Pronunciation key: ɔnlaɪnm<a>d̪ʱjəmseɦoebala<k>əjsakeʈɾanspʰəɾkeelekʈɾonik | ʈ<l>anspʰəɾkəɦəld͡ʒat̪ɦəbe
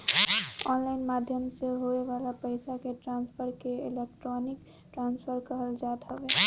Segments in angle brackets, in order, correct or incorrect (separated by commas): correct, incorrect, incorrect